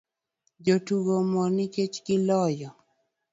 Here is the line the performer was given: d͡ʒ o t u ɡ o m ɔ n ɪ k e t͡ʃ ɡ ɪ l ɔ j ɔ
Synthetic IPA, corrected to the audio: d͡ʒ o t u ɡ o m ɔ n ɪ k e t͡ʃ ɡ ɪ l ɔ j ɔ